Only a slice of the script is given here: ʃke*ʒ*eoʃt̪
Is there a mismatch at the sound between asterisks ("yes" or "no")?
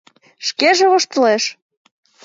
no